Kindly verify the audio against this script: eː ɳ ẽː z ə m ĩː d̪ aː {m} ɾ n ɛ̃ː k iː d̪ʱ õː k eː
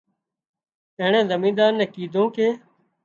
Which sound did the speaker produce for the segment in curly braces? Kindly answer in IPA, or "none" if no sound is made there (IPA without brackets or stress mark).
none